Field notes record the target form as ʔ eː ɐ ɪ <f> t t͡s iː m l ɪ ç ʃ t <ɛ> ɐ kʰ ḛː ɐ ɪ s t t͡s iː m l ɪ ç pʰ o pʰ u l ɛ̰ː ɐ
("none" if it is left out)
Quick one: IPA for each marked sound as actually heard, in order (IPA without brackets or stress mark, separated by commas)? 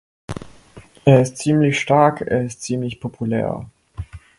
s, a